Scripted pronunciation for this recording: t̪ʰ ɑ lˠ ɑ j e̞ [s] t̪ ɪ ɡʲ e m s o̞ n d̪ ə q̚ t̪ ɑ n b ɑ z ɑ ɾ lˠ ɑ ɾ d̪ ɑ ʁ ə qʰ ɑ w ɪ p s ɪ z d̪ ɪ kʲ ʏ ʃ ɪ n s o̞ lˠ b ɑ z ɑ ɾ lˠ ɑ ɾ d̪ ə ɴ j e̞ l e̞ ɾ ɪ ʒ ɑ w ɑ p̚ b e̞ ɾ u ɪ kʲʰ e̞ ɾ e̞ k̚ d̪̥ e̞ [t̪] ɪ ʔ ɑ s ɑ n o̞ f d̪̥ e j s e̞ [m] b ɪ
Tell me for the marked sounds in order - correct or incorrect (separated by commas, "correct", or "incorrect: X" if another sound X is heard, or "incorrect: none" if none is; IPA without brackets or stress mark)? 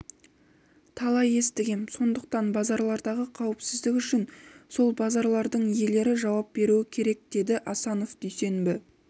correct, incorrect: d̪, incorrect: n